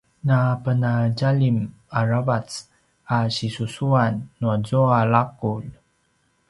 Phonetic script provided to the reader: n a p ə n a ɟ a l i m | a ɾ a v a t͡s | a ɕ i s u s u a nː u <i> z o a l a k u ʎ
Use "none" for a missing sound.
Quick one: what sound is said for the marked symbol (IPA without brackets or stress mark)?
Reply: a